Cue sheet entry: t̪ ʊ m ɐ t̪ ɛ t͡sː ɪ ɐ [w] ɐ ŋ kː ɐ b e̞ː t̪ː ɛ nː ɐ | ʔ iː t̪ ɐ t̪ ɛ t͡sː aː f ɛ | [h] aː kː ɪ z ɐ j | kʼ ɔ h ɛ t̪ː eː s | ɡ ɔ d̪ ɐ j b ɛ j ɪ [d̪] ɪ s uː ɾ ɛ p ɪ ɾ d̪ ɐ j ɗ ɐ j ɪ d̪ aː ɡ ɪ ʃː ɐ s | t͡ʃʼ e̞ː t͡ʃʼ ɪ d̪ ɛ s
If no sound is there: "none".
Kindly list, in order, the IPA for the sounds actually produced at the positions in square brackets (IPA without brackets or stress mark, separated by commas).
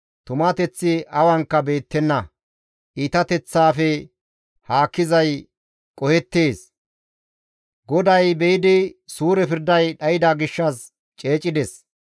w, h, d̪